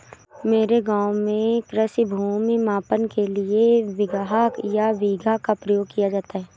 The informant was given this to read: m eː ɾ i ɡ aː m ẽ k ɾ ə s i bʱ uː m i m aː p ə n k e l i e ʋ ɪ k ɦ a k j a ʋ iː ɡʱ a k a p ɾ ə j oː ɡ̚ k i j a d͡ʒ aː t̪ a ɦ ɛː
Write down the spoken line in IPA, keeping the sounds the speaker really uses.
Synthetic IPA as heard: m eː ɾ e ɡ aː m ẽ k ɾ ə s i bʱ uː m i m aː p ə n k e l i e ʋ ɪ ɡ ɦ a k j a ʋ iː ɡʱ a k a p ɾ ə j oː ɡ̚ k i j a d͡ʒ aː t̪ a ɦ ɛː